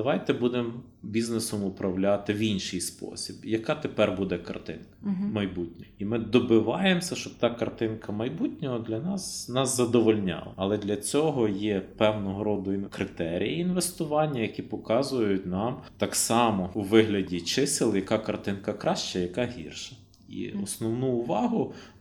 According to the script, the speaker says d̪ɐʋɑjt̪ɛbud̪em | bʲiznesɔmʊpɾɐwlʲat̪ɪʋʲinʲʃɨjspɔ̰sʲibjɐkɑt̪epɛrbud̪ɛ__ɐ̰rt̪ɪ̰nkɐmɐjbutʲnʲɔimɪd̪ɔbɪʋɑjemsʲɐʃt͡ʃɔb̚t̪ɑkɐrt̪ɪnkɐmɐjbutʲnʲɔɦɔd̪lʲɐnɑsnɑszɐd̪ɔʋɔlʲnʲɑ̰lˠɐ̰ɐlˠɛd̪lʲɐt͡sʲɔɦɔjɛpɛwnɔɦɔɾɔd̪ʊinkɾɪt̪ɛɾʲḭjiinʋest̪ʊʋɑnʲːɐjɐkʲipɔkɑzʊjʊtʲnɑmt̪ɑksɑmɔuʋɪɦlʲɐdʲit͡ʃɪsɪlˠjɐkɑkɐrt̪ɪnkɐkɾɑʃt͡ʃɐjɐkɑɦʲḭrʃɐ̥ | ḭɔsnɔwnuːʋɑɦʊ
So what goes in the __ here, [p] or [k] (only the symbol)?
k